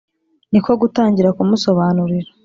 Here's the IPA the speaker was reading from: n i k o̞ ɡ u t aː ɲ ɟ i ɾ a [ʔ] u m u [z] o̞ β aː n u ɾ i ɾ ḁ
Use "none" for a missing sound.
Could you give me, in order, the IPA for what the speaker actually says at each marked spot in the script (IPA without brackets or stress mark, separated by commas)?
k, s